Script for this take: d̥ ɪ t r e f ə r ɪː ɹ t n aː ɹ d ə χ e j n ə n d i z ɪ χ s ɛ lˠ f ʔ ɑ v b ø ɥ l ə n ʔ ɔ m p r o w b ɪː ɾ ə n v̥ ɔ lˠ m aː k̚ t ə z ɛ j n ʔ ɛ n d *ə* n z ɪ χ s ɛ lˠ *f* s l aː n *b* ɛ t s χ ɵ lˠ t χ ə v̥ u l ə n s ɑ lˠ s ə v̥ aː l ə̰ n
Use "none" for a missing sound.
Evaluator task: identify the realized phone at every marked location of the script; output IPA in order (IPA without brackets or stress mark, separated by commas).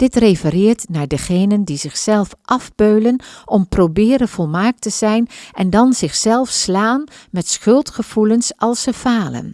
ɑ, f, m